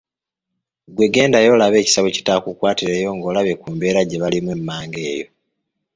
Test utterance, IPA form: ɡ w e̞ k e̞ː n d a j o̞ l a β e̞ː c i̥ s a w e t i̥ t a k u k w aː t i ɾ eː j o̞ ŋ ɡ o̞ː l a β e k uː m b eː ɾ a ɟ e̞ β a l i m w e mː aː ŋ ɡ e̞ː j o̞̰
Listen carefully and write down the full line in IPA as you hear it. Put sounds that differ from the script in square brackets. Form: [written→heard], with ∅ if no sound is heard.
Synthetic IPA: ɡ w e̞ [k→ɡ] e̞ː n d a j o̞ l a β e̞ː c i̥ s a [w→β] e [t→c] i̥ t a k u k w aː t i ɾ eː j o̞ ŋ ɡ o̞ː l a β e k uː m b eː ɾ a ɟ e̞ β a l i m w e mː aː ŋ ɡ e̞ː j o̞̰